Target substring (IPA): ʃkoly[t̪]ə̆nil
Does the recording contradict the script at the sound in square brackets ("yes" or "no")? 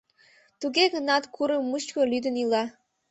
yes